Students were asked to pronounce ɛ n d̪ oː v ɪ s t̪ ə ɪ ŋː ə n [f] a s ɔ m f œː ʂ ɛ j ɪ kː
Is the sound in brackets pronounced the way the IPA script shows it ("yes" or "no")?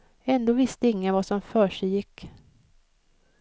no